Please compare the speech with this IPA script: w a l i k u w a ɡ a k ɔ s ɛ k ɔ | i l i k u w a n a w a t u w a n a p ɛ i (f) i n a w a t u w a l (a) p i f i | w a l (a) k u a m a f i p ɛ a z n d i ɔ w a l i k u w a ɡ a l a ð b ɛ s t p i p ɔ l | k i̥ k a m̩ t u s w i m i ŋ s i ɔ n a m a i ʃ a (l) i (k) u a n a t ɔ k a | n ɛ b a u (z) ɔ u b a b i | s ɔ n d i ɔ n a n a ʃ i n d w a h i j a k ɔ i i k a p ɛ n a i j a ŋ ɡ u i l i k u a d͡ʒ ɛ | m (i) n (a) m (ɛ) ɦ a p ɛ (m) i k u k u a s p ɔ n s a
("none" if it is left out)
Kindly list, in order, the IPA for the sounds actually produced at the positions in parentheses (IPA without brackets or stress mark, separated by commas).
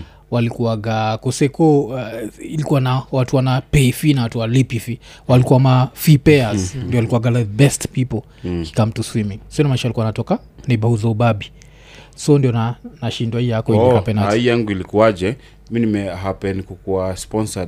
f, i, i, l, k, z, i, i, ɛ, n